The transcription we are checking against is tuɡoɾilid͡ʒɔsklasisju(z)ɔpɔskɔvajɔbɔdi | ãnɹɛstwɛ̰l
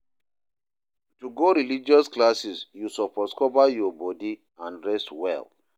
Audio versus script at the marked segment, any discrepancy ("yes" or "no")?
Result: yes